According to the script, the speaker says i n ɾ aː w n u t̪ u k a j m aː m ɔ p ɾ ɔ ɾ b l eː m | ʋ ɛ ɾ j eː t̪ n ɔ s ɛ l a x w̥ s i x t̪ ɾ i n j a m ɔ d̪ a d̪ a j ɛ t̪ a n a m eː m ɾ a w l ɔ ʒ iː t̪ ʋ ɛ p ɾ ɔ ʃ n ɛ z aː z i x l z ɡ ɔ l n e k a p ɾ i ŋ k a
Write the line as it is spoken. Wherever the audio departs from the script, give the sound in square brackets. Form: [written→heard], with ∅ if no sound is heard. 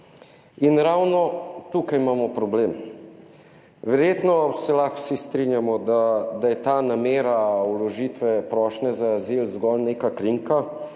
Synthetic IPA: i n ɾ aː w n [u→ɔ] t̪ u k a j m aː m ɔ p ɾ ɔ [ɾ→∅] b l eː m | ʋ ɛ ɾ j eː t̪ n ɔ s ɛ l a x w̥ s i [x→s] t̪ ɾ i n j a m ɔ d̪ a d̪ a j ɛ t̪ a n a m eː [m→∅] ɾ a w l ɔ ʒ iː t̪ ʋ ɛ p ɾ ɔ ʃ n ɛ z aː z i [x→∅] l z ɡ ɔ l n e k a [p→k] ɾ i ŋ k a